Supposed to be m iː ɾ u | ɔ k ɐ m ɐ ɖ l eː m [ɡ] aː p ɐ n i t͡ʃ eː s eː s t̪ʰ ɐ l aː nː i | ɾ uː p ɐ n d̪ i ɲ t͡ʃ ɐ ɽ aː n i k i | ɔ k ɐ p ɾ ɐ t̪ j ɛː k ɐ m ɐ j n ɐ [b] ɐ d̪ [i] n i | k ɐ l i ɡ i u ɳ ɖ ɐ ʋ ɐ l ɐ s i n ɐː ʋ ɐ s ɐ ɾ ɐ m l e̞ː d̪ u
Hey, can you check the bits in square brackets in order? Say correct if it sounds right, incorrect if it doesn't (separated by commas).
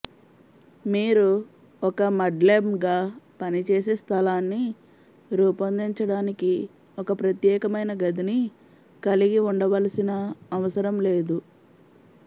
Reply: correct, incorrect, correct